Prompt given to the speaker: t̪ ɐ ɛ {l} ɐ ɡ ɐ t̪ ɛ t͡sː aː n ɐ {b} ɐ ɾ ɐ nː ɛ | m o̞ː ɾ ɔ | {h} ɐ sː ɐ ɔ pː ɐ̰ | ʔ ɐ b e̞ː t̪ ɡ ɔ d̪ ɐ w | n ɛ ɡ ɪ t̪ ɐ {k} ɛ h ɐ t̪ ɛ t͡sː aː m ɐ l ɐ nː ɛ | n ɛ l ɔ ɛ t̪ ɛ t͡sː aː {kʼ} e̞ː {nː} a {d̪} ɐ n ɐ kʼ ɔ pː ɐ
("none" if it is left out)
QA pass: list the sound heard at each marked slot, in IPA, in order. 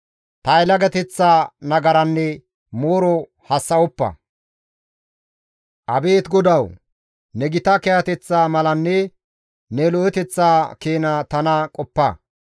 l, ɡ, h, k, k, n, t̪

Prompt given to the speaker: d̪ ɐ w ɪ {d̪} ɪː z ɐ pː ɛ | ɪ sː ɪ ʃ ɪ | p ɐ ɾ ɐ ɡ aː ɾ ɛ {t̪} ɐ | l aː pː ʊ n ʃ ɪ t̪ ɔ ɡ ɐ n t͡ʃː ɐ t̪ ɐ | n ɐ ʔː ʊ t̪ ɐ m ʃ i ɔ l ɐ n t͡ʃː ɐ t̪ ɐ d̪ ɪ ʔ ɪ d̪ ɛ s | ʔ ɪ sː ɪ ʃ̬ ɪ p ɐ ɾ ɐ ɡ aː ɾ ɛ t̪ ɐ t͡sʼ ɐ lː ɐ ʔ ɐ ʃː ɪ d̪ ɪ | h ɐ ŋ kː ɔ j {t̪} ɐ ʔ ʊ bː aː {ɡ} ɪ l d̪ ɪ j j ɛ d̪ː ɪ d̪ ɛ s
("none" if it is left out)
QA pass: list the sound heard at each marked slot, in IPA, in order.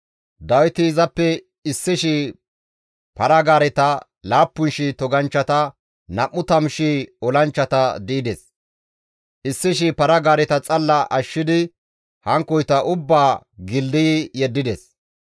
t̪, t̪, t̪, ɡ

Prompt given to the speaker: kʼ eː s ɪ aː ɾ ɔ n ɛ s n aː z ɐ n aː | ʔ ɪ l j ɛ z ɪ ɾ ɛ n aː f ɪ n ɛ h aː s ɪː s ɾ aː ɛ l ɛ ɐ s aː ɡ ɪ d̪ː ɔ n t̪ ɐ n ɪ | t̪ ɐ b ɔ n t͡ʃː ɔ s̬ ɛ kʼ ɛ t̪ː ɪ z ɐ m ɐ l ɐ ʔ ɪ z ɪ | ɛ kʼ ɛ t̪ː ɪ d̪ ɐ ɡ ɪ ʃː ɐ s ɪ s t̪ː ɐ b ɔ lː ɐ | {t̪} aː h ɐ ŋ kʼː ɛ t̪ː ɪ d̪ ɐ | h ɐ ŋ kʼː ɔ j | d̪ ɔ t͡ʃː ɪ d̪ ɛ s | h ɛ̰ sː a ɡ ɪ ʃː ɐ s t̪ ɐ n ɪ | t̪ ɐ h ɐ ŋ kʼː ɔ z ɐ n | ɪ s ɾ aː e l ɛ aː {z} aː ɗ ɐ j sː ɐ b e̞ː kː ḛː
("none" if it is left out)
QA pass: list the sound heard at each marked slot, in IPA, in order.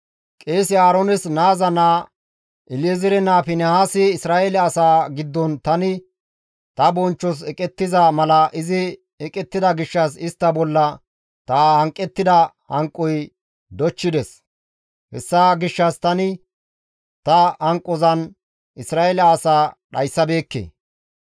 t̪, s

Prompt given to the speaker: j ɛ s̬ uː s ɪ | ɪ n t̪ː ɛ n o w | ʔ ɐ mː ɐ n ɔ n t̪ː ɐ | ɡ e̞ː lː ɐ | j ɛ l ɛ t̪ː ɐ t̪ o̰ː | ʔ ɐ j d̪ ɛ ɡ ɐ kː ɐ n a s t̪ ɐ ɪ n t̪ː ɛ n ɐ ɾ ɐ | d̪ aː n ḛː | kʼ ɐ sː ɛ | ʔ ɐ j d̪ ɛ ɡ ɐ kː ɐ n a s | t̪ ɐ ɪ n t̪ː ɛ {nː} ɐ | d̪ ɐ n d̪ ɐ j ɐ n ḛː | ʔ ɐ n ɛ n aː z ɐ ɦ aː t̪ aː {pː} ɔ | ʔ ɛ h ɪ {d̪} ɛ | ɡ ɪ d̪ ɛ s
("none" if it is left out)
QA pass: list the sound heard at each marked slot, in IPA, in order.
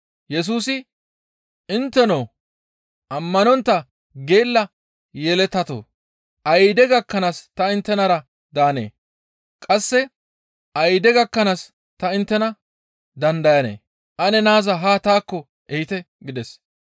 n, kː, t̪

